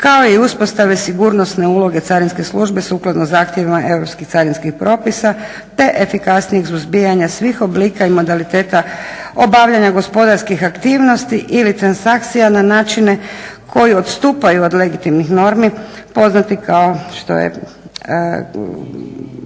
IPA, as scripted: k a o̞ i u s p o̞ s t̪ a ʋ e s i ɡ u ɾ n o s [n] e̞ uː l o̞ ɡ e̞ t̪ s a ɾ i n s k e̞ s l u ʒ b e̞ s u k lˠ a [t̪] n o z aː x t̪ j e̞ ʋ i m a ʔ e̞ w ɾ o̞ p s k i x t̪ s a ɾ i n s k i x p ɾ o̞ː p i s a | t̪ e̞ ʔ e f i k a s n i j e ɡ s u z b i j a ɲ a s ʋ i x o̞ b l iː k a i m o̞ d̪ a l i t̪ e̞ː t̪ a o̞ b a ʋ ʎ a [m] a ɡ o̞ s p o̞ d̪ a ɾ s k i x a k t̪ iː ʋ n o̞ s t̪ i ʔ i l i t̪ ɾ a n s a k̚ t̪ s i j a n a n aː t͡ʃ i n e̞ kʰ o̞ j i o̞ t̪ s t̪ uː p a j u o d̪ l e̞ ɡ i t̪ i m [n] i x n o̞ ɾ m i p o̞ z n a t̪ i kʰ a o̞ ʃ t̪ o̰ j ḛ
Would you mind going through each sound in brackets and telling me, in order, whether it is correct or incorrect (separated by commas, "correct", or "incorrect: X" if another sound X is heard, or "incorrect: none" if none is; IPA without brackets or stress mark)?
correct, incorrect: d̪, incorrect: ɲ, correct